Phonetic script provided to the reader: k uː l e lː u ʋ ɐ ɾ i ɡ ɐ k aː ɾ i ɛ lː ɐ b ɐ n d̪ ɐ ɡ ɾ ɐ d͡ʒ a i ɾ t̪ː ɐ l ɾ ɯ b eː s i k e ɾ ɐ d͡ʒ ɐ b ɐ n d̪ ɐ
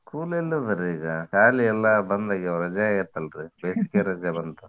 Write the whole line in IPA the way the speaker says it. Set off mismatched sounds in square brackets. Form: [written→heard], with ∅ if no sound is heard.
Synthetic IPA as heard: k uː l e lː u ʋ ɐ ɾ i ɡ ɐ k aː [ɾ→l] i ɛ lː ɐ b ɐ n d̪ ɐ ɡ ɾ ɐ d͡ʒ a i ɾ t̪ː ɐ l ɾ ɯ b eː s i k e ɾ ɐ d͡ʒ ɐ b ɐ n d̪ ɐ